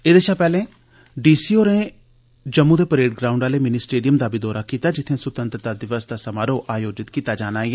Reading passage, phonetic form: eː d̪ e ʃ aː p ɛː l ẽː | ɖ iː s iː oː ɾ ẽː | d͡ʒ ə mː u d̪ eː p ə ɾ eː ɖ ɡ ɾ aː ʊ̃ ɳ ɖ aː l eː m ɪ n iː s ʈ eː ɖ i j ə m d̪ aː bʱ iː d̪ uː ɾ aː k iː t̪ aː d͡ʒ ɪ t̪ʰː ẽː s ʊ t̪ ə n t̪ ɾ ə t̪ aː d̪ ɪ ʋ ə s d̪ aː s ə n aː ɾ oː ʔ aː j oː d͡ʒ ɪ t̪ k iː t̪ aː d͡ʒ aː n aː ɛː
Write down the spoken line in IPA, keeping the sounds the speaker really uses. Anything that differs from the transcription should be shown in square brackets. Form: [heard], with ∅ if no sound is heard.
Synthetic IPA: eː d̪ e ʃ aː p ɛː l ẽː | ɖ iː s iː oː ɾ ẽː | d͡ʒ ə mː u d̪ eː p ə ɾ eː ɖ ɡ ɾ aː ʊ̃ ɳ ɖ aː l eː m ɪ n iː s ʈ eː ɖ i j ə m d̪ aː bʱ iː d̪ [ɔː] ɾ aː k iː t̪ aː d͡ʒ ɪ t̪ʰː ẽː s ʊ t̪ ə n t̪ ɾ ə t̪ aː d̪ ɪ ʋ ə s d̪ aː s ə [m] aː ɾ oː ʔ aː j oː d͡ʒ ɪ t̪ k iː t̪ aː d͡ʒ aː n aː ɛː